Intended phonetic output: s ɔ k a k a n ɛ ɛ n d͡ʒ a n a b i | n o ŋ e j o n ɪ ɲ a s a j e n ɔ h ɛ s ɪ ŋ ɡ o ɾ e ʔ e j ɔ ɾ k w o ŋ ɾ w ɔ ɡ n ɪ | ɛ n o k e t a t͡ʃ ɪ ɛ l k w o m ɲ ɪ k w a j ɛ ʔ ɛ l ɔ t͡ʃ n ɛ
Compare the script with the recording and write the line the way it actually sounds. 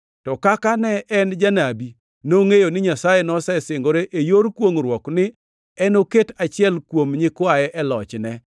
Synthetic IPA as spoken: t ɔ k a k a n ɛ ɛ n d͡ʒ a n a b i | n o ŋ e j o n ɪ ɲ a s a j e n ɔ s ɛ s ɪ ŋ ɡ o ɾ e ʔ e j o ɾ k w o ŋ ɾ w ɔ k n ɪ | ɛ n o k e t a t͡ʃ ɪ ɛ l k w o m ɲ ɪ k w a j ɛ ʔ ɛ l ɔ t͡ʃ n ɛ